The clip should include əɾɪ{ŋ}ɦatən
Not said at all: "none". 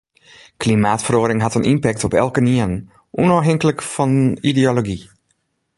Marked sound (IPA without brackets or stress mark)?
ŋ